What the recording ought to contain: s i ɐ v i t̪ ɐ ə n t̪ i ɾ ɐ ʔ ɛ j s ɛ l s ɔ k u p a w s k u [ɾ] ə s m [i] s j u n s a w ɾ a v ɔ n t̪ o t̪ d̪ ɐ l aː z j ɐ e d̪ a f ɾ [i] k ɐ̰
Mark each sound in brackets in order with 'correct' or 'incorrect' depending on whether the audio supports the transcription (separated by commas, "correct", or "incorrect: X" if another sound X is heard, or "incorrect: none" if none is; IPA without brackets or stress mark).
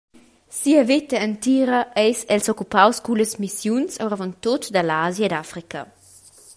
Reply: incorrect: l, correct, correct